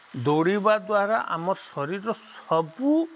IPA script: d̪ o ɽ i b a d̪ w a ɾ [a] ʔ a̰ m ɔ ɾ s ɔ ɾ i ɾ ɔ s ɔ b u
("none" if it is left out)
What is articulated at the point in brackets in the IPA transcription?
a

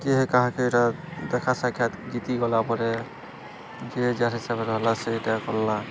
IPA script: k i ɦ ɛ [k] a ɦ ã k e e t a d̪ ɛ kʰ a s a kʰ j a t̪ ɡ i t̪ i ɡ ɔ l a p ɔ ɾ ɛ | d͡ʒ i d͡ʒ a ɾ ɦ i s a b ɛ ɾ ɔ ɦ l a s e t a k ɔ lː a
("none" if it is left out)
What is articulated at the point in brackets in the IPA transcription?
k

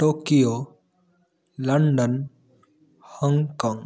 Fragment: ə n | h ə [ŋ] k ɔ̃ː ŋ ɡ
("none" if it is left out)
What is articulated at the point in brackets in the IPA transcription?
ŋ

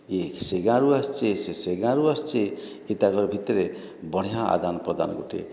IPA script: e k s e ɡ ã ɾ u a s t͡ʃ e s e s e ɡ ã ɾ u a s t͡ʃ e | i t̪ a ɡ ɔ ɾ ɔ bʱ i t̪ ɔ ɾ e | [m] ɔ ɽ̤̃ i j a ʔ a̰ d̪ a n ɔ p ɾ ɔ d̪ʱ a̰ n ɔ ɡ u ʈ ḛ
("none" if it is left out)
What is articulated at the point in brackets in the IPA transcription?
b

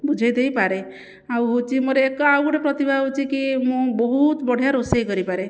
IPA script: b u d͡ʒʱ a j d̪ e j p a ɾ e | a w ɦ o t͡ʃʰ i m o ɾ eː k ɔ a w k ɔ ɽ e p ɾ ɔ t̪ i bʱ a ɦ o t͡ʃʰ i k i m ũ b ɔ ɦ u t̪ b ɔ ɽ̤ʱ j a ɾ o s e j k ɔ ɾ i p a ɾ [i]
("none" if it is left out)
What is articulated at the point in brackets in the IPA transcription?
e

